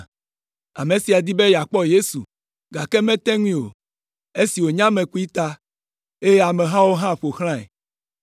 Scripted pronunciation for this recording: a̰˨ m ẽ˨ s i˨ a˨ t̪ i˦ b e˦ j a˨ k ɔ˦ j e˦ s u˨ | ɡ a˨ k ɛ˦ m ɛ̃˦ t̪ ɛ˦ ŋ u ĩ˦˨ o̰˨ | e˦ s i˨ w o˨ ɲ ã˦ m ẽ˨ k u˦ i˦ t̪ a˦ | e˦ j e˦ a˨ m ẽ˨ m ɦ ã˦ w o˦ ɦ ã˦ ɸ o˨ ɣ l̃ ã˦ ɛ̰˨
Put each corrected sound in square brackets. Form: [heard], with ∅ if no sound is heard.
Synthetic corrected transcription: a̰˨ m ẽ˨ s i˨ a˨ [d̪] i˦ b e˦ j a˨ [k͡p] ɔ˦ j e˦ s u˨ | ɡ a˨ k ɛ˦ m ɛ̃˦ t̪ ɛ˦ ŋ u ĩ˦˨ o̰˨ | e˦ s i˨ w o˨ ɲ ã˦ m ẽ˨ k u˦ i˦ t̪ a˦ | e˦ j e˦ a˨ m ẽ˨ [∅] ɦ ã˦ w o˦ ɦ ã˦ ɸ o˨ [x] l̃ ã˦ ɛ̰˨